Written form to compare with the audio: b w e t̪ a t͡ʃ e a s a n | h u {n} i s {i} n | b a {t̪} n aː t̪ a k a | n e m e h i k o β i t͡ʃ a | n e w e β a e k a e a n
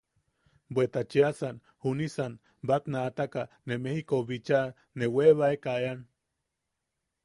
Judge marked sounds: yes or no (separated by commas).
yes, no, yes